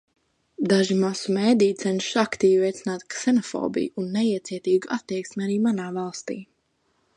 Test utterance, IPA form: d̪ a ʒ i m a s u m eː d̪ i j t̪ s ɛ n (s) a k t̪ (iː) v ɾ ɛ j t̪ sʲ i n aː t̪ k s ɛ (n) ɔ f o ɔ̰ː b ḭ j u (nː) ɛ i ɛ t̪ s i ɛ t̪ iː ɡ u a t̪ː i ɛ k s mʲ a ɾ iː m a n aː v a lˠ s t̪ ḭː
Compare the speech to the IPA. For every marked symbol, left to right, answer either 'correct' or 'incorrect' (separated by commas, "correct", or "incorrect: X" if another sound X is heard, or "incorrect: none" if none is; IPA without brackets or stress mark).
incorrect: ʃ, correct, correct, correct